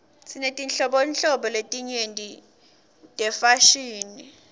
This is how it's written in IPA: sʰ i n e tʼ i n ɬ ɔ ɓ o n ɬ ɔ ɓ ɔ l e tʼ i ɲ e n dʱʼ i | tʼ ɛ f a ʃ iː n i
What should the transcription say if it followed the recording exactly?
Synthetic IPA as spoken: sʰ i n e tʼ i n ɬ ɔ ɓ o n ɬ ɔ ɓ ɔ l e tʼ i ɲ e n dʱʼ i | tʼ ɛ f a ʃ iː n i